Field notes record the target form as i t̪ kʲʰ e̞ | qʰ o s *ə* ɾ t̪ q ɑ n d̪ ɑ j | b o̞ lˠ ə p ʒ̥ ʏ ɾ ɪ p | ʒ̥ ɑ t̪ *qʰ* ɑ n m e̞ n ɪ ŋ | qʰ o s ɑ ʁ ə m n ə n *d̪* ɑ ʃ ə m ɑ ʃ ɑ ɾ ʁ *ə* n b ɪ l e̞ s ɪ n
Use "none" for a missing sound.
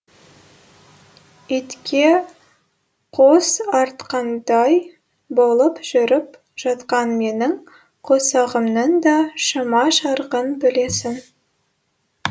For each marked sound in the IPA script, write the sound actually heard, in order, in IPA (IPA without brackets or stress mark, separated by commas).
ɑ, q, d̪, ə